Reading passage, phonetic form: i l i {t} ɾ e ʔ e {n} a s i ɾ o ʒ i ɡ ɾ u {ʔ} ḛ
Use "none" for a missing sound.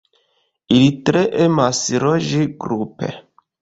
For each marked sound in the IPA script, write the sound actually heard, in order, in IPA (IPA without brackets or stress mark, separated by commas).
t, m, p